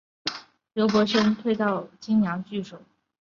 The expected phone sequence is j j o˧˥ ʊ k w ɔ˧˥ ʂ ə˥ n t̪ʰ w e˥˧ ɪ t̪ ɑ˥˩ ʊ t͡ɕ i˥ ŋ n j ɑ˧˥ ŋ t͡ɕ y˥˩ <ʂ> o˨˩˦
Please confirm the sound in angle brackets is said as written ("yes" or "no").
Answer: yes